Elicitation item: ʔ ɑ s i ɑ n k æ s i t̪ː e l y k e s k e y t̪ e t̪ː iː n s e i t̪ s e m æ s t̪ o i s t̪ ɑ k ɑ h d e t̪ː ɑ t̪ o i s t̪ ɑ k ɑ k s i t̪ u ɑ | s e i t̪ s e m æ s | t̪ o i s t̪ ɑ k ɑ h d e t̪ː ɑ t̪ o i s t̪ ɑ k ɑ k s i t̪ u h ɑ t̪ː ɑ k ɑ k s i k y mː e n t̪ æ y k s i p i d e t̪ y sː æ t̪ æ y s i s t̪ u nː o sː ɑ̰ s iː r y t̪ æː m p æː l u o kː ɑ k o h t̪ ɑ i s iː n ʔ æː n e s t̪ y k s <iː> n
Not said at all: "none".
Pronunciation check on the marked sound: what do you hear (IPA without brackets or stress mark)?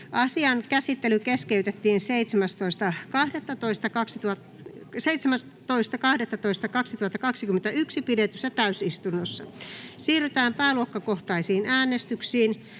iː